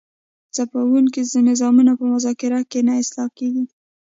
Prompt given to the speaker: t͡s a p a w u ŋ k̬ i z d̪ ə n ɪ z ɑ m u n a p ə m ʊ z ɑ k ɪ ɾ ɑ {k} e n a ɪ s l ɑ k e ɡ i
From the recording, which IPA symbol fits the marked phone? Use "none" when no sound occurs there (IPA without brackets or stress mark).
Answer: k